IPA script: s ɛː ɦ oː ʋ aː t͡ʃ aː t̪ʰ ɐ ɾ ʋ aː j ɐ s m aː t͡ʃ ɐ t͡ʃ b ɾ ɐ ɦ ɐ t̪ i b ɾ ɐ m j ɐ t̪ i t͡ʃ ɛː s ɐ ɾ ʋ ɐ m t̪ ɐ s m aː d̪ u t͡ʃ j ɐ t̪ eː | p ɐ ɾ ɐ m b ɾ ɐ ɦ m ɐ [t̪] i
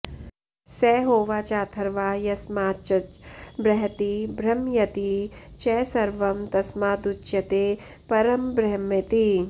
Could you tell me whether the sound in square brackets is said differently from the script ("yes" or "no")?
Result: no